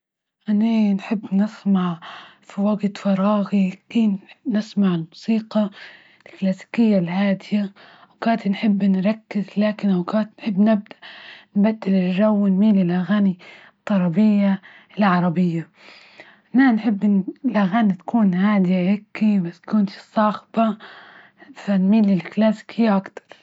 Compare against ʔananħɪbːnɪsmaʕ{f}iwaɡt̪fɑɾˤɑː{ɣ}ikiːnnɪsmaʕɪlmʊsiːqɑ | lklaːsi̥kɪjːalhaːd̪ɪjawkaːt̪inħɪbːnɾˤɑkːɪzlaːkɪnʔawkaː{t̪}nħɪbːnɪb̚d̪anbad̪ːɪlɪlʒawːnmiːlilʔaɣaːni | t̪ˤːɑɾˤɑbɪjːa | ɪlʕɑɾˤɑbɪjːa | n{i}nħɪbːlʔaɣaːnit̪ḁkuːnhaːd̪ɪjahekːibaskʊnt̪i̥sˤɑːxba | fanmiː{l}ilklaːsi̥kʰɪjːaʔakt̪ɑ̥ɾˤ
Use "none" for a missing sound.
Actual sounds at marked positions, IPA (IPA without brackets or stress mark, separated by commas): f, ɣ, t̪, a, l